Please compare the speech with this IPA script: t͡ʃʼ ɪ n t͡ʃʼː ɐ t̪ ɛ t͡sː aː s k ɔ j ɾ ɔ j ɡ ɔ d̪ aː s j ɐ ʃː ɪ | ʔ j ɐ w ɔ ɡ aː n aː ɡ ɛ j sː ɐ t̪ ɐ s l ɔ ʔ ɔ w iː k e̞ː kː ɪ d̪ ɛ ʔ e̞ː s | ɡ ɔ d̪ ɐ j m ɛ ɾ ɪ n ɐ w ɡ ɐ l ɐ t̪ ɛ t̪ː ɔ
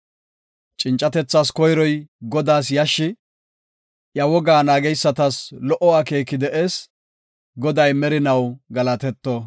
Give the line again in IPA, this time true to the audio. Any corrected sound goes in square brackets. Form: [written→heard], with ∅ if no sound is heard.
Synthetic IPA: t͡ʃʼ ɪ n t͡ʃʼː ɐ t̪ ɛ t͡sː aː s k ɔ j ɾ ɔ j ɡ ɔ d̪ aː s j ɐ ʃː ɪ | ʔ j ɐ w ɔ ɡ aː n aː ɡ ɛ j sː ɐ t̪ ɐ s l ɔ ʔ ɔ w [iː→aː] k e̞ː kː ɪ d̪ ɛ ʔ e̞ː s | ɡ ɔ d̪ ɐ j m ɛ ɾ ɪ n ɐ w ɡ ɐ l ɐ t̪ ɛ t̪ː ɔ

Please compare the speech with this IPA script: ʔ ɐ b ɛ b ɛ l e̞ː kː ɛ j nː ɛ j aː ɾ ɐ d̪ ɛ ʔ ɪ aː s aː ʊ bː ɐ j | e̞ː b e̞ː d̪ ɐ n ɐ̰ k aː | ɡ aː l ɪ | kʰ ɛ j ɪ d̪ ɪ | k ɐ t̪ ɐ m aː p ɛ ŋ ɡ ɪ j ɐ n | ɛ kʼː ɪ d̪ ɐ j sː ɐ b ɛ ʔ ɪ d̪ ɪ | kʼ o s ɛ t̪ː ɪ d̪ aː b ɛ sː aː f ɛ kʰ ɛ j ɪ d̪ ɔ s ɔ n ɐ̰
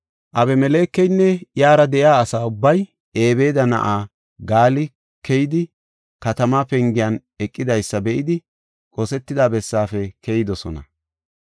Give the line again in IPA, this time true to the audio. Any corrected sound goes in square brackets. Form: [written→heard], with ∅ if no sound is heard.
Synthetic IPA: ʔ ɐ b ɛ [b→m] ɛ l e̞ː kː ɛ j nː ɛ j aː ɾ ɐ d̪ ɛ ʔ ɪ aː s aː ʊ bː ɐ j | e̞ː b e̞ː d̪ ɐ n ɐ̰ [k→ʔ] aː | ɡ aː l ɪ | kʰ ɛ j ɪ d̪ ɪ | k ɐ t̪ ɐ m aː p ɛ ŋ ɡ ɪ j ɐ n | ɛ kʼː ɪ d̪ ɐ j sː ɐ b ɛ ʔ ɪ d̪ ɪ | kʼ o s ɛ t̪ː ɪ d̪ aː b ɛ sː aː f ɛ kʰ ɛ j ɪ d̪ ɔ s ɔ n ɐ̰

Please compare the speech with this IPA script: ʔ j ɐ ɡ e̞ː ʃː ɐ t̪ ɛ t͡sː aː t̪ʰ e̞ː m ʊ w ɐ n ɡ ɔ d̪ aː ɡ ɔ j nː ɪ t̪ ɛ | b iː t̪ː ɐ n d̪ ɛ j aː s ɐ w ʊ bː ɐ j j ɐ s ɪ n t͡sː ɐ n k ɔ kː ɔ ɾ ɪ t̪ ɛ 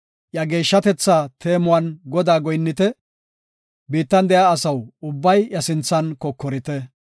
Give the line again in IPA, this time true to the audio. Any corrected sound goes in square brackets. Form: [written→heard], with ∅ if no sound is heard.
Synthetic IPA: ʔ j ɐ ɡ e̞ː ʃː ɐ t̪ ɛ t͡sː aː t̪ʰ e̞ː m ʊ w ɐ n ɡ ɔ d̪ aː ɡ ɔ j nː ɪ t̪ ɛ | b iː t̪ː ɐ n d̪ ɛ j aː s ɐ w ʊ bː ɐ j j ɐ s ɪ n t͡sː ɐ n k ɔ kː ɔ ɾ ɪ t̪ ɛ

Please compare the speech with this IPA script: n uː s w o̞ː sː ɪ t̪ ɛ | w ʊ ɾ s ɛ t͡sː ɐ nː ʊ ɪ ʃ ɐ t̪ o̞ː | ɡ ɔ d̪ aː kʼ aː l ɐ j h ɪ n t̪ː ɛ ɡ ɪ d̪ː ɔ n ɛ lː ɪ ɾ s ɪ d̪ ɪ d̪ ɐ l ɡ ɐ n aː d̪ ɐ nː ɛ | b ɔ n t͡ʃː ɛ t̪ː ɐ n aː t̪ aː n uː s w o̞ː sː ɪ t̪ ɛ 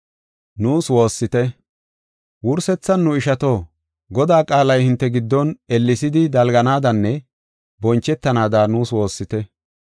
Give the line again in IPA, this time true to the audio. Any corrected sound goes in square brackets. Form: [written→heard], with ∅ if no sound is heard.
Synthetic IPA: n uː s w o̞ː sː ɪ t̪ ɛ | w ʊ ɾ s ɛ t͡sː ɐ nː ʊ ɪ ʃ ɐ t̪ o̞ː | ɡ ɔ d̪ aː kʼ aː l ɐ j h ɪ n t̪ː ɛ ɡ ɪ d̪ː ɔ n ɛ lː ɪ [ɾ→∅] s ɪ d̪ ɪ d̪ ɐ l ɡ ɐ n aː d̪ ɐ nː ɛ | b ɔ n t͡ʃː ɛ t̪ː ɐ n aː [t̪→d̪] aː n uː s w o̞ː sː ɪ t̪ ɛ

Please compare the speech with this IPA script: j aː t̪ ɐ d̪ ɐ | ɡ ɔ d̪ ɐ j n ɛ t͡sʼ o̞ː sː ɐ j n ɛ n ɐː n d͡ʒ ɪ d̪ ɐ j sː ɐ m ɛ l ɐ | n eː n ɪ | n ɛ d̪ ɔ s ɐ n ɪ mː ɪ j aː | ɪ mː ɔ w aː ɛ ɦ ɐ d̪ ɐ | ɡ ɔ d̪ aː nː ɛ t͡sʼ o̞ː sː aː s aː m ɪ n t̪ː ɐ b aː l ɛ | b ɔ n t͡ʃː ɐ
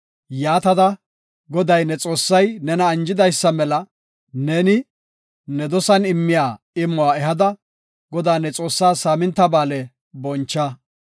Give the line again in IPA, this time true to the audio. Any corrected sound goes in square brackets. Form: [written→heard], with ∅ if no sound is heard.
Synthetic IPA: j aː t̪ ɐ d̪ ɐ | ɡ ɔ d̪ ɐ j n ɛ t͡sʼ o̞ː sː ɐ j n ɛ n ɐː n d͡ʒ ɪ d̪ ɐ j sː ɐ m ɛ l ɐ | n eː n ɪ | n ɛ d̪ ɔ s ɐ n ɪ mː ɪ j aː | ɪ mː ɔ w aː ɛ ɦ ɐ d̪ ɐ | ɡ ɔ d̪ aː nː ɛ t͡sʼ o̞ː sː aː s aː m ɪ n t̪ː ɐ b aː l ɛ | b ɔ n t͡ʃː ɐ

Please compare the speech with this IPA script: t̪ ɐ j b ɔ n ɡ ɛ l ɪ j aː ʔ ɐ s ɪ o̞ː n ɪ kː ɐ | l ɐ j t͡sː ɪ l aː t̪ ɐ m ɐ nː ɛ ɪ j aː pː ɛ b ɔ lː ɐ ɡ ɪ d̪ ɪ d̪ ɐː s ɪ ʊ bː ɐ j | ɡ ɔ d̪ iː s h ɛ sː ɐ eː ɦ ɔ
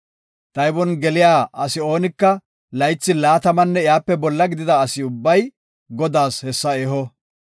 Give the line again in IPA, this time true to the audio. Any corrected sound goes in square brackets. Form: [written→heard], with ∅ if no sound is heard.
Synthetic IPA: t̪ ɐ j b ɔ n ɡ ɛ l ɪ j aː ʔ ɐ s ɪ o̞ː n ɪ kː ɐ | l ɐ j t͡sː ɪ l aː t̪ ɐ m ɐ nː ɛ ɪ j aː pː ɛ b ɔ lː ɐ ɡ ɪ d̪ ɪ d̪ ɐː s ɪ ʊ bː ɐ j | ɡ ɔ d̪ [iː→aː] s h ɛ sː ɐ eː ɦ ɔ

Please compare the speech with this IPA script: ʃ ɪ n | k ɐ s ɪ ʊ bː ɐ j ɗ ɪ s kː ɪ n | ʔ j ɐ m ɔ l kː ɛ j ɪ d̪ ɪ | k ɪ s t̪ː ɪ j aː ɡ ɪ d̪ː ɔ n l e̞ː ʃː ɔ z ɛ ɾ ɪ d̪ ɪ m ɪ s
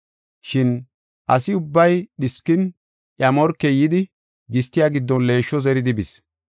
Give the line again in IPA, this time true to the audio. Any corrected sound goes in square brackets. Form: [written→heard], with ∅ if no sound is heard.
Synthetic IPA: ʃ ɪ n | [k→ʔ] ɐ s ɪ ʊ bː ɐ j ɗ ɪ s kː ɪ n | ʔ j ɐ m ɔ [l→ɾ] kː ɛ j ɪ d̪ ɪ | [k→ɡ] ɪ s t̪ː ɪ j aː ɡ ɪ d̪ː ɔ n l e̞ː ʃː ɔ z ɛ ɾ ɪ d̪ ɪ [m→b] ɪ s

